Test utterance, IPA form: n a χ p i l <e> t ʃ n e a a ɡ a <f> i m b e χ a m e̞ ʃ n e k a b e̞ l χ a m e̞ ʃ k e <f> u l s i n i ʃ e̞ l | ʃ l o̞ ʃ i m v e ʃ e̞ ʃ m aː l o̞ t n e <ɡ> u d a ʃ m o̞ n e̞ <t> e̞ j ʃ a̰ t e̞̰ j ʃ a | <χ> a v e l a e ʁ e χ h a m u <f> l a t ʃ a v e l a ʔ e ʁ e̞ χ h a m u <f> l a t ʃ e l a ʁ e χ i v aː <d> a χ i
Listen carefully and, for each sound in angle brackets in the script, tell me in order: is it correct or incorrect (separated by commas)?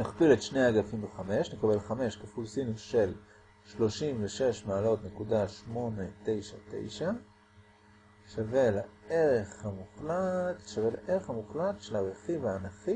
correct, correct, correct, incorrect, correct, incorrect, incorrect, incorrect, incorrect